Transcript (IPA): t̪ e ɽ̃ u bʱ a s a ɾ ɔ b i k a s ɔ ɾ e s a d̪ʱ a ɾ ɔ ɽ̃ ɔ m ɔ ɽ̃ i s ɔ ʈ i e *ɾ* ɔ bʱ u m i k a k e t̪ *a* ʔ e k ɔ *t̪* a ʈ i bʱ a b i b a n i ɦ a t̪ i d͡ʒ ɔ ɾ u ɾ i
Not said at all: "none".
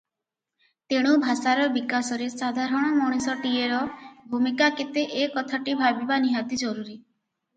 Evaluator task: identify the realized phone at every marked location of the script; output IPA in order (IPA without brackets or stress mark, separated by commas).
ɾ, e, t̪ʰ